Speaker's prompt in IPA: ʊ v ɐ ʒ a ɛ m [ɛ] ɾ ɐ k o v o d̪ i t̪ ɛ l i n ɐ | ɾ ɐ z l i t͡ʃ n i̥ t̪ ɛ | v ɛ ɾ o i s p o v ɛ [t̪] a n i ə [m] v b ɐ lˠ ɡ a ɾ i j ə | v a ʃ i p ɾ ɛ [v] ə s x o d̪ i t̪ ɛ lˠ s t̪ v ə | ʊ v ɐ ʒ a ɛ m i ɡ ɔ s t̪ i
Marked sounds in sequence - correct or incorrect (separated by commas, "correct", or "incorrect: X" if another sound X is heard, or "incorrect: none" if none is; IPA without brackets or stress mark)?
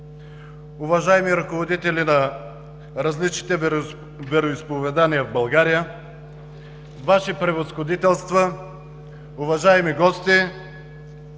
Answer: incorrect: i, incorrect: d̪, incorrect: none, correct